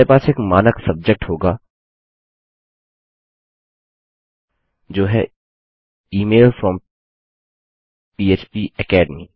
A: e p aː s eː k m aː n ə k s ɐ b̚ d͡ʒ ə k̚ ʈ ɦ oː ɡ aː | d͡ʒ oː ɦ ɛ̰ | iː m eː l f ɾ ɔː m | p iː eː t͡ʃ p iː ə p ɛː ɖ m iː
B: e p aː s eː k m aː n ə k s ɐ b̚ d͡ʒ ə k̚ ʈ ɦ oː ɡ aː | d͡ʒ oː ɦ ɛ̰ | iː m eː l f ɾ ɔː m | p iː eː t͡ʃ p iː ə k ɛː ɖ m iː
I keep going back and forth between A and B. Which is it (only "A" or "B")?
B